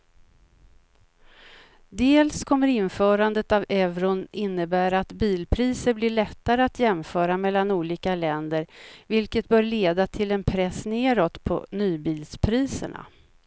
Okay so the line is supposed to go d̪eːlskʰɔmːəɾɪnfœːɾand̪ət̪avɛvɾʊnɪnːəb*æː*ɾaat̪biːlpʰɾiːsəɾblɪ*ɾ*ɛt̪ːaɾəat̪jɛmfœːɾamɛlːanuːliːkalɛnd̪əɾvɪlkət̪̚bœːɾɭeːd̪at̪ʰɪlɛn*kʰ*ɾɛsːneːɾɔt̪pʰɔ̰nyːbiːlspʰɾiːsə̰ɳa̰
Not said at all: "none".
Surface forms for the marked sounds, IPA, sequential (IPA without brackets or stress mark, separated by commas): æː, ɭ, pʰ